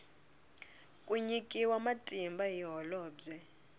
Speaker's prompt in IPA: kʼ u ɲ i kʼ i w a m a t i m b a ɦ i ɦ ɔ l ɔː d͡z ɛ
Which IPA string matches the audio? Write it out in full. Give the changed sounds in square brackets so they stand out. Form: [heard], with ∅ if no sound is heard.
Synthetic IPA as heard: kʼ u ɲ i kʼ i w a m a [tʼ] i m b a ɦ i ɦ ɔ l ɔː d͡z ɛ